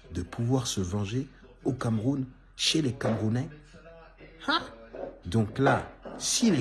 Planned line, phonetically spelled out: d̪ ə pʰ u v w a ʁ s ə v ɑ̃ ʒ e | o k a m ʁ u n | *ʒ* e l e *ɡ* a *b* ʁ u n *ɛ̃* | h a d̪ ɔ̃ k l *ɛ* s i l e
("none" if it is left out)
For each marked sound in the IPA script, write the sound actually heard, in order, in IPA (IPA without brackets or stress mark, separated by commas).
ʃ, k, m, ɛ, a